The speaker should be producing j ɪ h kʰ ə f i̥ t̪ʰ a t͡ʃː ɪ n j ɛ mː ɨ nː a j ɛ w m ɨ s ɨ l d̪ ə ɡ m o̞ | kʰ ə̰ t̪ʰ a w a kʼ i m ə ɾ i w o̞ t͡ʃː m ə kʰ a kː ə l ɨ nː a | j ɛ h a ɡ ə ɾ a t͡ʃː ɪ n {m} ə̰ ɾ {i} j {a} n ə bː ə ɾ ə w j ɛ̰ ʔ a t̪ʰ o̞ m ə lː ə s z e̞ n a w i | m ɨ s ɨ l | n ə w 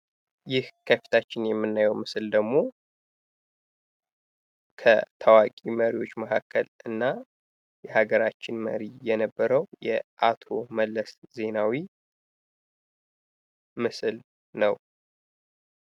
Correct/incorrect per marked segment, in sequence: correct, correct, incorrect

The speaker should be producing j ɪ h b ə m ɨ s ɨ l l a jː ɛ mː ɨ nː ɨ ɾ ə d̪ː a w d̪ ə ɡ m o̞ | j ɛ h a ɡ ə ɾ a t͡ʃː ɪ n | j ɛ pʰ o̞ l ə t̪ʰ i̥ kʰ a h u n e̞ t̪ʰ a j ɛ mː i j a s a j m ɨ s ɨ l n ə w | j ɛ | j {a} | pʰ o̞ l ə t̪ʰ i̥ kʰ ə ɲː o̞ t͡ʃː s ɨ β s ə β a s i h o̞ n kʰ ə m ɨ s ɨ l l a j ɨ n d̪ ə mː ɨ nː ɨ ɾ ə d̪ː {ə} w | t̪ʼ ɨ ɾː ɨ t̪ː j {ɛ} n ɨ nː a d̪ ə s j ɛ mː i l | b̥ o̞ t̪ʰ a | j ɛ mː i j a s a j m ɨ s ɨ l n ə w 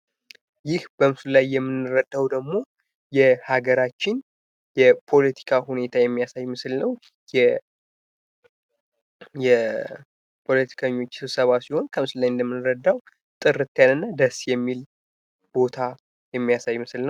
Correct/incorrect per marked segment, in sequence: incorrect, incorrect, incorrect

